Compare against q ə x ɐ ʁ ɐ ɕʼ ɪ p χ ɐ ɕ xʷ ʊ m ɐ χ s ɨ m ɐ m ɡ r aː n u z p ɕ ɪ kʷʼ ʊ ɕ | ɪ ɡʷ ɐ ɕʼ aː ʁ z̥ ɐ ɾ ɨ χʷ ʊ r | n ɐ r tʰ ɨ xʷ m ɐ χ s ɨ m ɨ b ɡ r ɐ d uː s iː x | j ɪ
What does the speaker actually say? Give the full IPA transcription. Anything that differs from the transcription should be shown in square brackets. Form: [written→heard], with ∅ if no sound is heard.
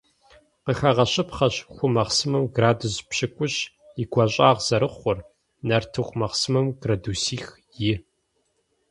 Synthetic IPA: q ə x ɐ ʁ ɐ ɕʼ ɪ p χ ɐ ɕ xʷ ʊ m ɐ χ s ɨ m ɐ m ɡ r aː [n→d] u z p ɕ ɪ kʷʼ ʊ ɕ | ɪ ɡʷ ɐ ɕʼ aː ʁ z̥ ɐ ɾ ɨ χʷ ʊ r | n ɐ r tʰ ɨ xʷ m ɐ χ s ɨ m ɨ [b→m] ɡ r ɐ d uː s iː x | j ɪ